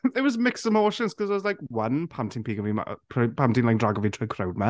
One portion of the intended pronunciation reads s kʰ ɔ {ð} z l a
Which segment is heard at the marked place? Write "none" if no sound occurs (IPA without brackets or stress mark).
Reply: z